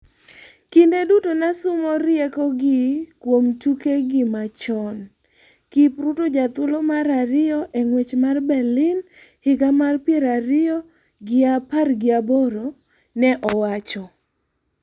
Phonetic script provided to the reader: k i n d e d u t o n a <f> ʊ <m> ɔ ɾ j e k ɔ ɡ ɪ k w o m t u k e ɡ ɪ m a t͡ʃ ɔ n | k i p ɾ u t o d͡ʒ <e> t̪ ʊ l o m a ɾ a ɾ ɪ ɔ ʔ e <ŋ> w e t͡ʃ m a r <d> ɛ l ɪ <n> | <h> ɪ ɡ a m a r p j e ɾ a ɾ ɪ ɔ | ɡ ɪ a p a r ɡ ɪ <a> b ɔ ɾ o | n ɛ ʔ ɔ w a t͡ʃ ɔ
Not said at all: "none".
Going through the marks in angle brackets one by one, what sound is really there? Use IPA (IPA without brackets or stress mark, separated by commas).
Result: s, m, a, ŋ, b, n, h, a